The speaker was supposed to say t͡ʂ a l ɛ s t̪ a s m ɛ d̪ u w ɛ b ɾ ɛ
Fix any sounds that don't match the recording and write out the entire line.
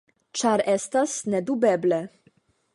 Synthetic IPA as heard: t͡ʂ a ɾ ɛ s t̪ a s n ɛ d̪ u b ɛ b l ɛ